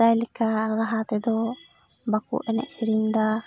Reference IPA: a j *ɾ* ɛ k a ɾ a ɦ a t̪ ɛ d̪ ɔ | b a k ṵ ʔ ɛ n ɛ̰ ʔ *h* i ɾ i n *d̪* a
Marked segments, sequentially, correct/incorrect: incorrect, incorrect, correct

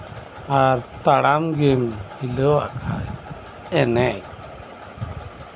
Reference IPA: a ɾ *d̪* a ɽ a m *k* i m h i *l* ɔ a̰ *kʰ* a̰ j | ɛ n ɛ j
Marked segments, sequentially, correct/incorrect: incorrect, incorrect, correct, correct

